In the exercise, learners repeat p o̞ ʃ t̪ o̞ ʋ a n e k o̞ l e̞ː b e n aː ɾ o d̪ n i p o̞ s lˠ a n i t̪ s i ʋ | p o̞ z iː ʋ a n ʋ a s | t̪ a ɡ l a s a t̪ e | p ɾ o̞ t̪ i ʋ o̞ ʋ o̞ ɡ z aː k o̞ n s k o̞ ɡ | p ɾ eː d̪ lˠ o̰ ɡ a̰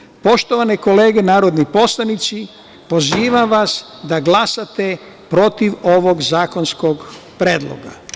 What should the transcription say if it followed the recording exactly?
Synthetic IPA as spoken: p o̞ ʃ t̪ o̞ ʋ a n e k o̞ l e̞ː ɡ e n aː ɾ o d̪ n i p o̞ s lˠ a n i t̪ s i | p o̞ z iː ʋ a m ʋ a s | d̪ a ɡ l a s a t̪ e | p ɾ o̞ t̪ i ʋ o̞ ʋ o̞ ɡ z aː k o̞ n s k o̞ ɡ | p ɾ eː d̪ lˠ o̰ ɡ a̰